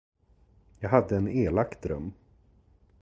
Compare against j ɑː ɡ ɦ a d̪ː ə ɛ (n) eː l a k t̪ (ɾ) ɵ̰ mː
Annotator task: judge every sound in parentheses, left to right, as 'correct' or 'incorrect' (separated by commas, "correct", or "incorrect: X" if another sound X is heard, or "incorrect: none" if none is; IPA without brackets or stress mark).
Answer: correct, correct